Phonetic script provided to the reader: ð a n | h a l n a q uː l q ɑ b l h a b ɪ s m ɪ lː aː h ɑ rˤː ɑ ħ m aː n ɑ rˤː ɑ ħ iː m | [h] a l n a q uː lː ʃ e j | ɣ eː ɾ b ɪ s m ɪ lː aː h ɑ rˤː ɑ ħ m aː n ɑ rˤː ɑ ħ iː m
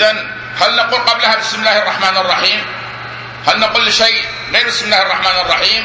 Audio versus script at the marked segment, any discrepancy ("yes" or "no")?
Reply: no